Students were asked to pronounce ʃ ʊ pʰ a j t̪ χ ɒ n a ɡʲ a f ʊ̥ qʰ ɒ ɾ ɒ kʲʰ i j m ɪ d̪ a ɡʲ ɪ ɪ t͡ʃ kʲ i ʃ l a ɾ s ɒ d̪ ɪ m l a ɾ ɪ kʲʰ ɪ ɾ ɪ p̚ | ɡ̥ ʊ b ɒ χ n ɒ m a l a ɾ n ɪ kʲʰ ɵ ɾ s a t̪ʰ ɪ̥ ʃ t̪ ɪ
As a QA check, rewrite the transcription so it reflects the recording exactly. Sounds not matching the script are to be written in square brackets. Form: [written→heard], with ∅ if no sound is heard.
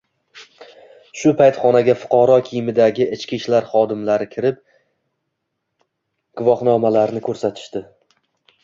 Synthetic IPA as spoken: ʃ ʊ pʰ a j t̪ χ ɒ n a ɡʲ a f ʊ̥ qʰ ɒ ɾ ɒ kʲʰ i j m ɪ d̪ a ɡʲ ɪ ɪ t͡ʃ kʲ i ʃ l a ɾ [s→χ] ɒ d̪ ɪ m l a ɾ ɪ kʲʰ ɪ ɾ ɪ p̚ | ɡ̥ ʊ [b→v] ɒ χ n ɒ m a l a ɾ n ɪ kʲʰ ɵ ɾ s a t̪ʰ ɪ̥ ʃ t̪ ɪ